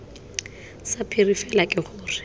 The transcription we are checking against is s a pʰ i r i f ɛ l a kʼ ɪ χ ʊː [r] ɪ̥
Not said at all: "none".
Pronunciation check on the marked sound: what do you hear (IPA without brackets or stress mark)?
r